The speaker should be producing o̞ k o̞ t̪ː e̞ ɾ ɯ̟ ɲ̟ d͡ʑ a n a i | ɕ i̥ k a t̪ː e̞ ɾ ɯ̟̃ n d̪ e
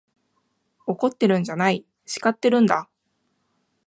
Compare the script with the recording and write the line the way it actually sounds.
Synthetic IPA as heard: o̞ k o̞ t̪ː e̞ ɾ ɯ̟̃ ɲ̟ d͡ʑ a n a i | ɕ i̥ k a t̪ː e̞ ɾ ɯ̟̃ n d̪ a